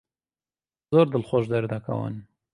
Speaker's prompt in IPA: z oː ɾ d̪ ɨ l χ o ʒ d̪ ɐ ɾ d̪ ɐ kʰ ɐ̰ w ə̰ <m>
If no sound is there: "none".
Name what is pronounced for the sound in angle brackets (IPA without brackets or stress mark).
n